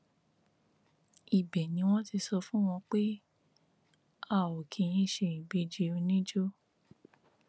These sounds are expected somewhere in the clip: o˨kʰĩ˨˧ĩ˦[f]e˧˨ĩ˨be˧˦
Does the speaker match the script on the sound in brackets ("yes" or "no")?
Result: no